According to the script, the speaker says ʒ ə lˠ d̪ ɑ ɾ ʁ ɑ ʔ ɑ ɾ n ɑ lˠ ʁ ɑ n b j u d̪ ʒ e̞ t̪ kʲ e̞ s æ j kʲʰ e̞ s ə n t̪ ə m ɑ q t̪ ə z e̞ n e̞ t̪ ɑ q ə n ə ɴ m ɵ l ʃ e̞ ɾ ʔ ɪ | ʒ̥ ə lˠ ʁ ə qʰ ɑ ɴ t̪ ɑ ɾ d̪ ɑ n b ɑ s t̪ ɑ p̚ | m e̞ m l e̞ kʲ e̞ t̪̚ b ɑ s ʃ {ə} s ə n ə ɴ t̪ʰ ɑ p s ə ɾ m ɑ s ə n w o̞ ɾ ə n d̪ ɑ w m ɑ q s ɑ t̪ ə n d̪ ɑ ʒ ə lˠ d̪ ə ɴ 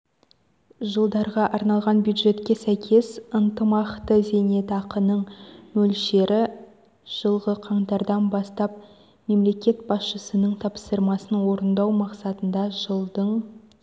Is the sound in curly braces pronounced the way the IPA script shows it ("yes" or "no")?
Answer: yes